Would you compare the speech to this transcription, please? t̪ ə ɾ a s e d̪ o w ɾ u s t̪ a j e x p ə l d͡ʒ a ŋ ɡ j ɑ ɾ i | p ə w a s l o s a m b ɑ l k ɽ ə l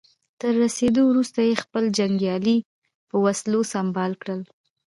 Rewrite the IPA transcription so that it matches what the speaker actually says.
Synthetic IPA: t̪ ə ɾː a s e d̪ o w ɾ u s t̪ a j e x p ə l d͡ʒ a ŋ ɡ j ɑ l i | p ə w a s l o s a m b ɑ l k ɽ ə l